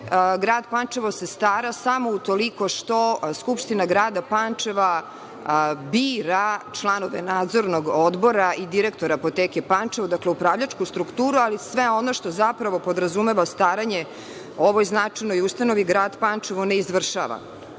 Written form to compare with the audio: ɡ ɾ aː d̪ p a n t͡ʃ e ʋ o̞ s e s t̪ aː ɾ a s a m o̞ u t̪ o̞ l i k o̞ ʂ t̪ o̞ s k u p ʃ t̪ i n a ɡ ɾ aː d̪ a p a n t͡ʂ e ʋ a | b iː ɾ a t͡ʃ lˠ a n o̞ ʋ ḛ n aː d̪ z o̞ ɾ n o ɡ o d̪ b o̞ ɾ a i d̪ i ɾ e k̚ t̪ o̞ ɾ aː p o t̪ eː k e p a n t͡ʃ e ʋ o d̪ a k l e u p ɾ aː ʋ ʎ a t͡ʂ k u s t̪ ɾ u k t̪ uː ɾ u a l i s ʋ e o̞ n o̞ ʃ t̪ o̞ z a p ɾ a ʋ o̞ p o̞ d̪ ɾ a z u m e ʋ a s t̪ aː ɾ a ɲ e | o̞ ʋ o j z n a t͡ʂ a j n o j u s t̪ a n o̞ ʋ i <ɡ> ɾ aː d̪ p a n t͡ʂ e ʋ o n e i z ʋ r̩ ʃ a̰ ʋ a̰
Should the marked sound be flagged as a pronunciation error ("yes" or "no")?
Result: no